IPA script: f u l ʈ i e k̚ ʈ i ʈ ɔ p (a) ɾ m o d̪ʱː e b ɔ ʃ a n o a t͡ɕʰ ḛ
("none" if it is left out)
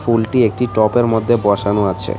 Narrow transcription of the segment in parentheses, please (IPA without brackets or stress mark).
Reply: e